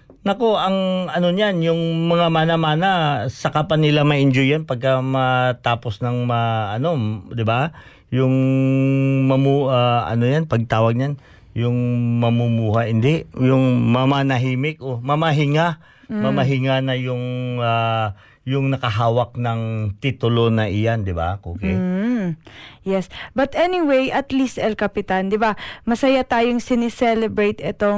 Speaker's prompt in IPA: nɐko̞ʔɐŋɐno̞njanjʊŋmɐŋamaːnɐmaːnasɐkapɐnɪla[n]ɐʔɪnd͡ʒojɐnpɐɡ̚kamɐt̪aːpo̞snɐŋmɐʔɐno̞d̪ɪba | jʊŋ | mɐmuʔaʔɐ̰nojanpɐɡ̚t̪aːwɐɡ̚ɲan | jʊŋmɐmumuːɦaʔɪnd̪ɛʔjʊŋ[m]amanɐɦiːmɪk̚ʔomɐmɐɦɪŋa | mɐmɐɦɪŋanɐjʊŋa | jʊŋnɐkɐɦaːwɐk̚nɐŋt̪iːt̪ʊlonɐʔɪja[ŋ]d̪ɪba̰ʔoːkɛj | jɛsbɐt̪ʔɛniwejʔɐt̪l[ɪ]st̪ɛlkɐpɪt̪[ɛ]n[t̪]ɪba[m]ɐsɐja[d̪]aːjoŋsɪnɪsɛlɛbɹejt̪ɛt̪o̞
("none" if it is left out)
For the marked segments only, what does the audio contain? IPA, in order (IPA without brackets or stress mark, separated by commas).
m, m, n, i, a, d̪, m, t̪